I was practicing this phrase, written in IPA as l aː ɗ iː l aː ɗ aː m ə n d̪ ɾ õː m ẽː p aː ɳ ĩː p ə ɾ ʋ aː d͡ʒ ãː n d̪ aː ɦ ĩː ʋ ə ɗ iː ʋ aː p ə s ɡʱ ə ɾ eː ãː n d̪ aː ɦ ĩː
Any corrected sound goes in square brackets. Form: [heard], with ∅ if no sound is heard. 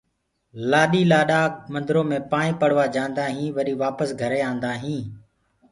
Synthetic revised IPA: l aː ɗ iː l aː ɗ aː m ə n d̪ ɾ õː m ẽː p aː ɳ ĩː p ə [ɽ] ʋ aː d͡ʒ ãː n d̪ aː ɦ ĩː ʋ ə ɗ iː ʋ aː p ə s ɡʱ ə ɾ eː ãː n d̪ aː ɦ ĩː